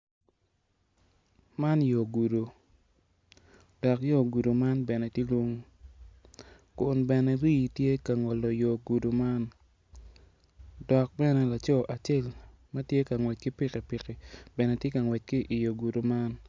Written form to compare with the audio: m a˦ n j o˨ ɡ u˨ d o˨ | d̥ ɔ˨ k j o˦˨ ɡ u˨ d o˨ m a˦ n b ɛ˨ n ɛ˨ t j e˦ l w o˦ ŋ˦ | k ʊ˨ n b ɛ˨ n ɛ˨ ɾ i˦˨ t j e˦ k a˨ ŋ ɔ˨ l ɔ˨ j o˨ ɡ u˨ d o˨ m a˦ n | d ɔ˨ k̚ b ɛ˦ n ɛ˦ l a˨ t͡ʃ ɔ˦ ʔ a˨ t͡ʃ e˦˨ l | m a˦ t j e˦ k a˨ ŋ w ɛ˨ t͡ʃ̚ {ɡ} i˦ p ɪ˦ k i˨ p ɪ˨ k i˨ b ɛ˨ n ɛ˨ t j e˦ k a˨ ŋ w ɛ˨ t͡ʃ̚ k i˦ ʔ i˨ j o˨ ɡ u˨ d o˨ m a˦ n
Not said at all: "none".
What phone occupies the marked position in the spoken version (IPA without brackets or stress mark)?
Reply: k